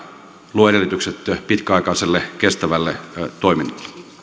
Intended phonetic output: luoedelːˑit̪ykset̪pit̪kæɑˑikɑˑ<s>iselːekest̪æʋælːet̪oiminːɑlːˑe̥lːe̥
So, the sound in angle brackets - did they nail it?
no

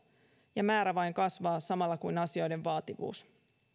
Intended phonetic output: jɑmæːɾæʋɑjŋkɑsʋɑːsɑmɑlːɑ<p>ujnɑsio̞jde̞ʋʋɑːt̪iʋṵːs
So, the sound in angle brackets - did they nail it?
no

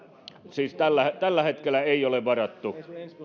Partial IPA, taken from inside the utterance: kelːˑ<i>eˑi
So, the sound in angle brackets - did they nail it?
no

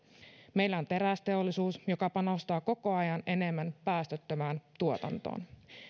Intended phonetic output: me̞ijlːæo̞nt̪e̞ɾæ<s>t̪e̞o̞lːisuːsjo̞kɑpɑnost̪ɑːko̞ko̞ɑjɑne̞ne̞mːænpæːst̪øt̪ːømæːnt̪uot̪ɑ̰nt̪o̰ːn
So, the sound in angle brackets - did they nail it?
yes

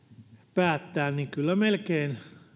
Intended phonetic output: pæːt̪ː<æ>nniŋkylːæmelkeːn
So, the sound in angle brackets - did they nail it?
no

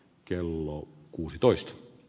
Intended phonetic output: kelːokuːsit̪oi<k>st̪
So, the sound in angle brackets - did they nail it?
no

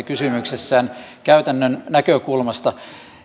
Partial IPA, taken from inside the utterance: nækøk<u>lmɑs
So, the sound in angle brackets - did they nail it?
yes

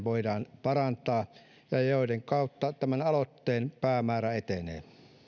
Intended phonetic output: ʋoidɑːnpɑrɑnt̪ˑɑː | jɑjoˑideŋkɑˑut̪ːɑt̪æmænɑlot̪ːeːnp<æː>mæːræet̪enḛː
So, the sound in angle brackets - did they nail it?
yes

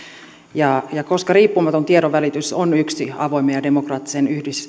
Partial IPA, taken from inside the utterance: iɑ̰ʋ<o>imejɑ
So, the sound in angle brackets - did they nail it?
yes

